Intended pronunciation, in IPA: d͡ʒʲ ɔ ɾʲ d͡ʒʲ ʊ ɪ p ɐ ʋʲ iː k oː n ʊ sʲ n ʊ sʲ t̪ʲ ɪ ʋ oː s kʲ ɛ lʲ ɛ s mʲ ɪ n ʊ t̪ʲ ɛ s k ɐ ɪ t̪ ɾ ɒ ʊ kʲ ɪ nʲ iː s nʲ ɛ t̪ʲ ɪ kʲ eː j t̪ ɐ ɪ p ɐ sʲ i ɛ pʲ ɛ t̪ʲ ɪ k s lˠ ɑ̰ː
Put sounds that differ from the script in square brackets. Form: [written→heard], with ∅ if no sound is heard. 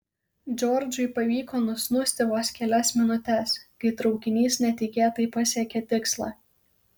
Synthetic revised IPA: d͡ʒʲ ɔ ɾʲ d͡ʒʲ ʊ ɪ p ɐ ʋʲ iː k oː n ʊ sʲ n ʊ sʲ t̪ʲ ɪ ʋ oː s kʲ ɛ lʲ ɛ s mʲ ɪ n ʊ t̪ʲ ɛ s k ɐ ɪ t̪ ɾ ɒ ʊ kʲ ɪ nʲ iː s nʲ ɛ t̪ʲ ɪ kʲ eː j t̪ ɐ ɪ p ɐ sʲ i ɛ [pʲ→kʲ] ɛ t̪ʲ ɪ k s lˠ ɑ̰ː